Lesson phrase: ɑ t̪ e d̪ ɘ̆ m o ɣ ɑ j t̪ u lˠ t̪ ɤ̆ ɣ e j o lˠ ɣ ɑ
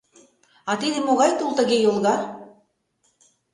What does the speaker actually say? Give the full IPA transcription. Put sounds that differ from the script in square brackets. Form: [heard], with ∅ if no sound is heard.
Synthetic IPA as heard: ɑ t̪ [i] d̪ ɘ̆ m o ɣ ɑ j t̪ u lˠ t̪ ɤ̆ ɣ e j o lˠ ɣ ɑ

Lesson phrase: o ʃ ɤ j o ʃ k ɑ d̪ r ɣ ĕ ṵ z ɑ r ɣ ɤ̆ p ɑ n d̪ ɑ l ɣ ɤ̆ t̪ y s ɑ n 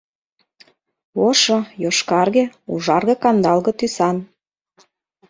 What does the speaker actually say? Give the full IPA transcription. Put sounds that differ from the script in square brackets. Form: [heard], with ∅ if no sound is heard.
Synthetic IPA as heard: o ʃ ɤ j o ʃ k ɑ [∅] r ɣ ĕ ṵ [ʒ] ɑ r ɣ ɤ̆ [k] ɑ n d̪ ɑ l ɣ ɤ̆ t̪ y s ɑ n

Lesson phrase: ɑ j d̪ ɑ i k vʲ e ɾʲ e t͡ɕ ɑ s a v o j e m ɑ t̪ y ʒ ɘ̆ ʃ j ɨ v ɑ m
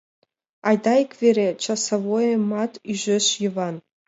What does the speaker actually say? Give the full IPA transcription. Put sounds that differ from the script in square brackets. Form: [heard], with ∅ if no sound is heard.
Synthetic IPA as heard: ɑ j d̪ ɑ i k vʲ e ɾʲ e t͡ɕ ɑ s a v o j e m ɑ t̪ y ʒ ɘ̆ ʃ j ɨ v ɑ [n]

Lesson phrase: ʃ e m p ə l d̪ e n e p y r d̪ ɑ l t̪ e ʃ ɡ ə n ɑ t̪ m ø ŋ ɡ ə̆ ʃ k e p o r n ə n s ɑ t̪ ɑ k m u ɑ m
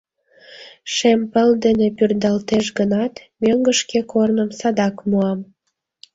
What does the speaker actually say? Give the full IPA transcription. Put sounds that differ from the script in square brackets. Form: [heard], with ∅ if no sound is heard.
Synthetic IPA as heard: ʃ e m p ə l d̪ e n e p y r d̪ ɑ l t̪ e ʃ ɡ ə n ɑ t̪ m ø ŋ ɡ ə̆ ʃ k e [k] o r n ə [m] s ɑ [d̪] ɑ k m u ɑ m

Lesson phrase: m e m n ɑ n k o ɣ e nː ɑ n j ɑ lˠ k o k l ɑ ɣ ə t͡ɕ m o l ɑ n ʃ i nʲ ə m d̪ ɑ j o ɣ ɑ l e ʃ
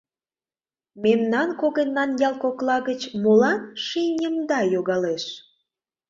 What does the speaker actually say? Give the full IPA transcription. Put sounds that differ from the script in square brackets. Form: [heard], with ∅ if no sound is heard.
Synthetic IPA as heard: m e m n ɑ n k o ɣ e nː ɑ n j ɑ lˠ k o k l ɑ ɣ ə t͡ɕ m o l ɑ n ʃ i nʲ ə m d̪ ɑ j o ɣ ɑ l e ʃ

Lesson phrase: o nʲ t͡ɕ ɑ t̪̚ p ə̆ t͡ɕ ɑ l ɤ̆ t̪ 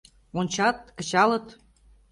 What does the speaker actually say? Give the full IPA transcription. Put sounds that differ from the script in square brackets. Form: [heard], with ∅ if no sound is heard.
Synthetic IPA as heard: o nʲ t͡ɕ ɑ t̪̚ [k] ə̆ t͡ɕ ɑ l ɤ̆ t̪

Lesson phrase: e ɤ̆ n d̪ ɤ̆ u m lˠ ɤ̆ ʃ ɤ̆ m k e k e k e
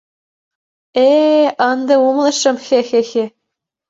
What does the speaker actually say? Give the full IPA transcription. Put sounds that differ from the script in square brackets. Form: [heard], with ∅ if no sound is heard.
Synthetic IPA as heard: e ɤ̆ n d̪ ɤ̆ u m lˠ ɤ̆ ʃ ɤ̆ m [x] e [x] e [x] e

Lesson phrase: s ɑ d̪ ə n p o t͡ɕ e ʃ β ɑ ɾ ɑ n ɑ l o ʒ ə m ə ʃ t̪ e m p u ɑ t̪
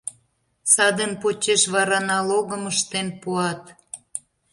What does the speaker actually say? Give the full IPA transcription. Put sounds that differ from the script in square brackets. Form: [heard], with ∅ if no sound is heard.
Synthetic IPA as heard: s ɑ d̪ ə n p o t͡ɕ e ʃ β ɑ ɾ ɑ n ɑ l o [ɣ] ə m ə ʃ t̪ e [n] p u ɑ t̪

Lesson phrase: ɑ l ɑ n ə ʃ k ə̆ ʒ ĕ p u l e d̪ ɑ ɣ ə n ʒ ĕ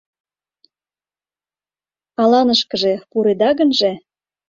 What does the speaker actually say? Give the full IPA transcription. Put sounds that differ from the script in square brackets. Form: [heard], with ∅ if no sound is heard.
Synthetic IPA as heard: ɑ l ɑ n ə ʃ k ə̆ ʒ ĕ p u [ɾ] e d̪ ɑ ɣ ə n ʒ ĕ

